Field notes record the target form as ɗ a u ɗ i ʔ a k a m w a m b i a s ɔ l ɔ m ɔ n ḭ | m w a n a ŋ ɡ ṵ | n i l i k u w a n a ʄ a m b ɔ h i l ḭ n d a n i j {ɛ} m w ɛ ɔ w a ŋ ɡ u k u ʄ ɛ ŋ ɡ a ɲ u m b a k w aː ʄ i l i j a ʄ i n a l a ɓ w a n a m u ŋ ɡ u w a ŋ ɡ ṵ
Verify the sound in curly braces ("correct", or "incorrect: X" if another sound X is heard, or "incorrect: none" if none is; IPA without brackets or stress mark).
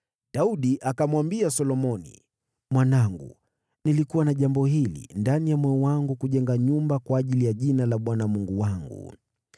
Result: incorrect: a